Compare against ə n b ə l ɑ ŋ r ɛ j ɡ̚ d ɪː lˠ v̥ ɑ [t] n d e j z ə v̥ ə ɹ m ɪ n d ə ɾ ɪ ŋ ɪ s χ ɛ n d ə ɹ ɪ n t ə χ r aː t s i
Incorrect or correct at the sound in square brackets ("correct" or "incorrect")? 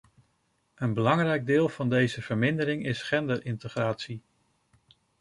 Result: incorrect